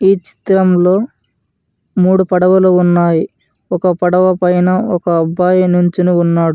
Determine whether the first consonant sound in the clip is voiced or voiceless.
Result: voiceless